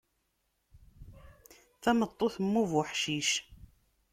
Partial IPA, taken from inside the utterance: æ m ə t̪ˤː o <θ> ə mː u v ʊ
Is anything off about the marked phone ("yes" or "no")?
no